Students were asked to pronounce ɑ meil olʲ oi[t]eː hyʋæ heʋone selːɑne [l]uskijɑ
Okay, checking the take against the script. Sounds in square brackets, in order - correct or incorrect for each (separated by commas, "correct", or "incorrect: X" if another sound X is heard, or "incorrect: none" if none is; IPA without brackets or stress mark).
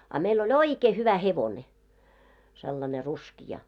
incorrect: k, incorrect: r